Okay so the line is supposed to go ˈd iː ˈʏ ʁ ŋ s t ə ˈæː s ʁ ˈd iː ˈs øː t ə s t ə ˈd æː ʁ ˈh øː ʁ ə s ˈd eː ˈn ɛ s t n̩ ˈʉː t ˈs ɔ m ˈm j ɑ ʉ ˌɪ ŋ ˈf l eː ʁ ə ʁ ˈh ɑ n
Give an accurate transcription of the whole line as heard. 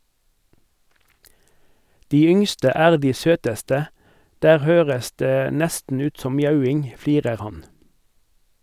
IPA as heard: ˈd iː ˈʏ ŋ s t ə ˈæː ʁ ˈd iː ˈs øː t ə s t ə ˈd æː ʁ ˈh øː ʁ ə s ˈd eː ˈn ɛ s t n̩ ˈʉː t ˈs ɔ m ˈm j ɑ ʉ ˌɪ ŋ ˈf l iː ʁ ə ʁ ˈh ɑ n